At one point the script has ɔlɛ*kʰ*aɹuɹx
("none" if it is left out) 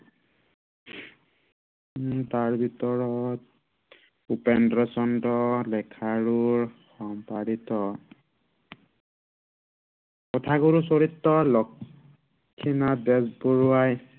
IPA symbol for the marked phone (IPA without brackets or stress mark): kʰ